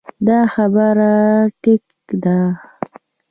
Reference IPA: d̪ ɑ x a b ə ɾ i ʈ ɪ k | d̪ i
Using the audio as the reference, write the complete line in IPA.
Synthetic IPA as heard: d̪ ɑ x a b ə ɾ a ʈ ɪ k | d̪ a